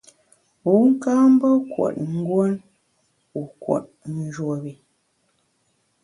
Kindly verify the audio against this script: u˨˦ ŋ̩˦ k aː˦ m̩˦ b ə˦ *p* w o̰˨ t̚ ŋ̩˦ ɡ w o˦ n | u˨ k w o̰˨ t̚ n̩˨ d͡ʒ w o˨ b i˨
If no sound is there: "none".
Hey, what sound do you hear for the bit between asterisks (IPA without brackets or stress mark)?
k